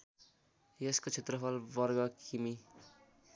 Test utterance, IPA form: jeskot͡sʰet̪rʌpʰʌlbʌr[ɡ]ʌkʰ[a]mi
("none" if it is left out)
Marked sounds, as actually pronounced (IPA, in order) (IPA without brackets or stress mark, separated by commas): ɡ, i